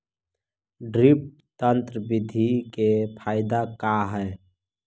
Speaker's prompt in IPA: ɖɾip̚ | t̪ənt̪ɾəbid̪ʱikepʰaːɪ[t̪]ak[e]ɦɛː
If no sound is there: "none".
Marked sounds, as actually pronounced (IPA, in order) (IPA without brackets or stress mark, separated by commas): d̪, a